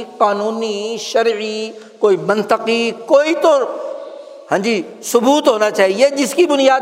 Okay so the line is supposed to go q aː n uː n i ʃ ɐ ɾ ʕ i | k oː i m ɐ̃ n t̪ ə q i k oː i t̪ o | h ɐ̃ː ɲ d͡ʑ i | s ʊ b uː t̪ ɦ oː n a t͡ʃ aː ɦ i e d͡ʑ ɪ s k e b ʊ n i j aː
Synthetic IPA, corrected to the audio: q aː n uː n i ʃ ɐ ɾ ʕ i | k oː i m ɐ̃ n t̪ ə q i k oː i t̪ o | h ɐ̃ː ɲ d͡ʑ i | s ʊ b uː t̪ ɦ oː n a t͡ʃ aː ɦ i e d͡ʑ ɪ s k i b ʊ n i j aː